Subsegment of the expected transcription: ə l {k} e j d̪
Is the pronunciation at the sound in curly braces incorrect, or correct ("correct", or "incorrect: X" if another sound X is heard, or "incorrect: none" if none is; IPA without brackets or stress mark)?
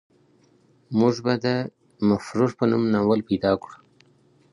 incorrect: p